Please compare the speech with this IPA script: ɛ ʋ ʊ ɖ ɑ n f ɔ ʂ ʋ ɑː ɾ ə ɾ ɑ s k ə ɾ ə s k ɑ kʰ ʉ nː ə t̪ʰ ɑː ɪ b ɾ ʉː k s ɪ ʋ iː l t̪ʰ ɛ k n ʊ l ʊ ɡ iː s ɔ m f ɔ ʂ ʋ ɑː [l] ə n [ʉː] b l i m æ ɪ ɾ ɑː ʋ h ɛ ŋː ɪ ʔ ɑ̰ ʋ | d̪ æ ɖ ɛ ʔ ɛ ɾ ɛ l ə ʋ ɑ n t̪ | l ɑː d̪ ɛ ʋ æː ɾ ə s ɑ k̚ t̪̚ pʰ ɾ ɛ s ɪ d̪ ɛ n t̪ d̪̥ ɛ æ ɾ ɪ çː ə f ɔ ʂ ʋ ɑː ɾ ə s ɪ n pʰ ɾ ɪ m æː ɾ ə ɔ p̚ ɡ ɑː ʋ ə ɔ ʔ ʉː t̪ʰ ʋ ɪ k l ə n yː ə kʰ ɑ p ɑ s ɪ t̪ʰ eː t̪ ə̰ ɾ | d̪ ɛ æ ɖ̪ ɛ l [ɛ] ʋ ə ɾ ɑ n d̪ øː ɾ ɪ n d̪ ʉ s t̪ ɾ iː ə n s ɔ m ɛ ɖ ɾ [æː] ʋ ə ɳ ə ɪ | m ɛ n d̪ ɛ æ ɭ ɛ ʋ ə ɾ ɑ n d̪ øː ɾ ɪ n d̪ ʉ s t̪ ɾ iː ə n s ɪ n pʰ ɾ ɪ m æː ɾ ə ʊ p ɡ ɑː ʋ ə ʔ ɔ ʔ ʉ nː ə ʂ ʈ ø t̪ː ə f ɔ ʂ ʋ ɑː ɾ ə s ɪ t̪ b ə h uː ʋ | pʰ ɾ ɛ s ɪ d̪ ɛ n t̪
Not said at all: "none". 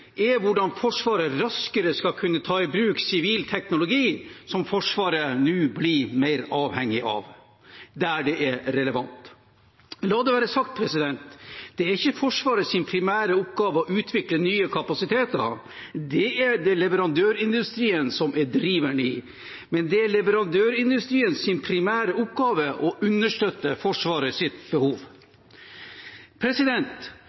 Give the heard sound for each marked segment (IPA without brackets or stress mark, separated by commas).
ɾ, ʉː, ɛ, iː